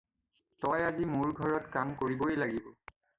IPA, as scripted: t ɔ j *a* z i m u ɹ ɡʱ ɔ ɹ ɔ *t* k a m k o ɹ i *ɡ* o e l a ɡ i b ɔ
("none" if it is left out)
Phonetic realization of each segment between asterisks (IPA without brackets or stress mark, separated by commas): a, t, b